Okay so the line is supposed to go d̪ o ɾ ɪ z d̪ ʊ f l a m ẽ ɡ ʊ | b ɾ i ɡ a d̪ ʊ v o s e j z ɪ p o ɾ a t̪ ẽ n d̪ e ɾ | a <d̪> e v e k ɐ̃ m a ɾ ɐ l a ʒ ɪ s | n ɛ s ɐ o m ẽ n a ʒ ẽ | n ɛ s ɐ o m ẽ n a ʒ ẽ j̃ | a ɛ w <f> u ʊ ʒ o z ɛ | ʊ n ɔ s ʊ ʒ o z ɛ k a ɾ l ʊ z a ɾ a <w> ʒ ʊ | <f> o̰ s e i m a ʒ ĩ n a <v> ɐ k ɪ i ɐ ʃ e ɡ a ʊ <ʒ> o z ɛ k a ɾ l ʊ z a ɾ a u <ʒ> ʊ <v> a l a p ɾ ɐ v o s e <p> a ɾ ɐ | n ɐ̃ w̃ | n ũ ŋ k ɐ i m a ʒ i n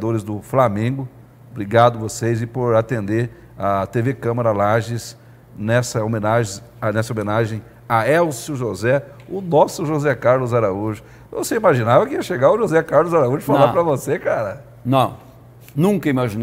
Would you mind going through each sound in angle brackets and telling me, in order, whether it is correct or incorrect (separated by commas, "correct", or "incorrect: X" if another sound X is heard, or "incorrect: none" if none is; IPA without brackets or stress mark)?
incorrect: t̪, incorrect: s, incorrect: u, incorrect: v, correct, correct, correct, incorrect: f, incorrect: k